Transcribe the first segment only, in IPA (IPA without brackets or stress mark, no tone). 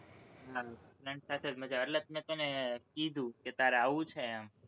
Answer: ɦ